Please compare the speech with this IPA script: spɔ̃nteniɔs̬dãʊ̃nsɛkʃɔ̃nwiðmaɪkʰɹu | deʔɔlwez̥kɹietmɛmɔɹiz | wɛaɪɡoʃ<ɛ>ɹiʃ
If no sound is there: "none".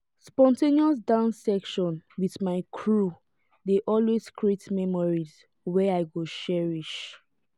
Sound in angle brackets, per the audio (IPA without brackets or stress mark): ɛ